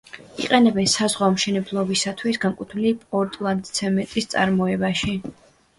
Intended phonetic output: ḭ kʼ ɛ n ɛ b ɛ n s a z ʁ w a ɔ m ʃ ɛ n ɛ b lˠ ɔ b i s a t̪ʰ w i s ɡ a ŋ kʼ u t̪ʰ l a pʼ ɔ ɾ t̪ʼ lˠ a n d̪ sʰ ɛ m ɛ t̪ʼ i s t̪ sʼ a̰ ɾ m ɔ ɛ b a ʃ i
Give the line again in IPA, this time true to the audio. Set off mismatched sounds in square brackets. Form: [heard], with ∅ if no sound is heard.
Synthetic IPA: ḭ [qʼ] ɛ n ɛ b ɛ n s a z ʁ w a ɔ m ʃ ɛ n ɛ b lˠ ɔ b i s a t̪ʰ w i s ɡ a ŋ kʼ u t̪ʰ l [i] pʼ ɔ ɾ t̪ʼ lˠ a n d̪ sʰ ɛ m ɛ t̪ʼ i s t̪ sʼ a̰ ɾ m ɔ ɛ b a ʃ i